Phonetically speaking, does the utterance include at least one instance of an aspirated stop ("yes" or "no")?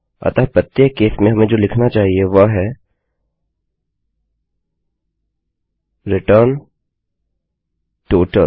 yes